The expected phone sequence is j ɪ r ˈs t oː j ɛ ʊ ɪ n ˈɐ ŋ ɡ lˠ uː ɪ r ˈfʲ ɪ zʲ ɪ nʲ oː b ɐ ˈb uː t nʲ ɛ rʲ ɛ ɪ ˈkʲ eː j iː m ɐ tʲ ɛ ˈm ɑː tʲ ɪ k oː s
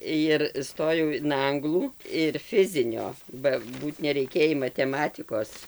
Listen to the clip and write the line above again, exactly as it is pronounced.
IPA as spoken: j ɪ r ˈs t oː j ɛ ʊ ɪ n ˈɐ ŋ ɡ lˠ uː ɪ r ˈfʲ ɪ zʲ ɪ nʲ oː b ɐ ˈb uː t nʲ ɛ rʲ ɛ ɪ ˈkʲ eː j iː m ɐ tʲ ɛ ˈm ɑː tʲ ɪ k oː s